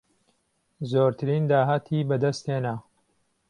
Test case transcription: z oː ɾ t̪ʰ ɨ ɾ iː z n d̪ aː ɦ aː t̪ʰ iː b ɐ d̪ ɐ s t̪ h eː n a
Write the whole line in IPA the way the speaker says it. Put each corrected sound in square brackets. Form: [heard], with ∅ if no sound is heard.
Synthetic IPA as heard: z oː ɾ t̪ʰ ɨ ɾ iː [∅] n d̪ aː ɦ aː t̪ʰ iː b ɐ d̪ ɐ s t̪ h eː n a